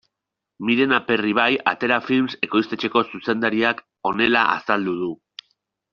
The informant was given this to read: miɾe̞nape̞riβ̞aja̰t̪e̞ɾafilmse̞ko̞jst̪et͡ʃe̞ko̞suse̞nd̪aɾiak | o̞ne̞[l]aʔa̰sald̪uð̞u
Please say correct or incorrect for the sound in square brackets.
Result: correct